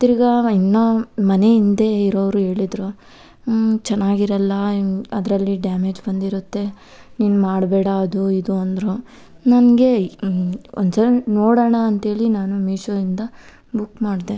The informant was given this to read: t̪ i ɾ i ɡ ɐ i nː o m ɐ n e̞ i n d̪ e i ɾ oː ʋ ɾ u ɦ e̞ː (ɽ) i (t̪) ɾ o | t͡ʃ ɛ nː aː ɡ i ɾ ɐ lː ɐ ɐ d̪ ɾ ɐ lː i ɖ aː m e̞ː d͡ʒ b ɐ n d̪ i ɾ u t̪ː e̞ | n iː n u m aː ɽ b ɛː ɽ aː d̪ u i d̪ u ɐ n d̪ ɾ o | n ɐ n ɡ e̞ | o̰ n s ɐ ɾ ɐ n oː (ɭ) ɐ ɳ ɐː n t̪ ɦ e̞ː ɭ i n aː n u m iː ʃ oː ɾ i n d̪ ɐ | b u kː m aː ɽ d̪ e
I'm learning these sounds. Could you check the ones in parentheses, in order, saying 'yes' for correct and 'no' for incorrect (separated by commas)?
no, no, no